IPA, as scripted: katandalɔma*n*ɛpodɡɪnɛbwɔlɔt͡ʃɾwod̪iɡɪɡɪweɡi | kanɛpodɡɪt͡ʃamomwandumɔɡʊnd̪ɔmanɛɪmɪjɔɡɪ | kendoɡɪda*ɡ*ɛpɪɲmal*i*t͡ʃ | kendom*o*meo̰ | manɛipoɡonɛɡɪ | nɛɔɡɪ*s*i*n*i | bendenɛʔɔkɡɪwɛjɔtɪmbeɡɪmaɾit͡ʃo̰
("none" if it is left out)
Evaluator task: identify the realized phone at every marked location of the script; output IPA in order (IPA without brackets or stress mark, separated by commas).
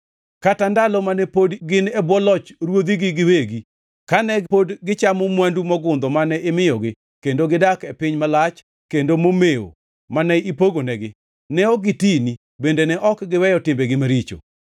n, k, a, o, t, n